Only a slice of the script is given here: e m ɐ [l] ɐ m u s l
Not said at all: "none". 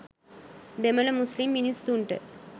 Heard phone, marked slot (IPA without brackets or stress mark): l